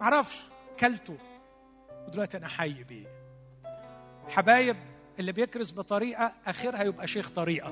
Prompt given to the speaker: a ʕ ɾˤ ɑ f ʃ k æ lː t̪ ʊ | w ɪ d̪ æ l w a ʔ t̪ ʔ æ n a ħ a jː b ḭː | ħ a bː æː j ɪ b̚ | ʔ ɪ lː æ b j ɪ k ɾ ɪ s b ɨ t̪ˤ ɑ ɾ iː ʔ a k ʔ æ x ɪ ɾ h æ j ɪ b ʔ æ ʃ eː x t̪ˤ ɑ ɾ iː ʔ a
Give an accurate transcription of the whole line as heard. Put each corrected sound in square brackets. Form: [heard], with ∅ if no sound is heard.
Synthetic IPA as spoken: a ʕ ɾˤ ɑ f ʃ k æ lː t̪ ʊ | w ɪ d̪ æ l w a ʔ t̪ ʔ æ n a ħ a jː b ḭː | ħ a [b] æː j ɪ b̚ | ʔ ɪ lː [i] b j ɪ k ɾ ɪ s b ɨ t̪ˤ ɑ ɾ iː ʔ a [∅] ʔ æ x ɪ ɾ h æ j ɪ b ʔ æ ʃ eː x t̪ˤ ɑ ɾ iː ʔ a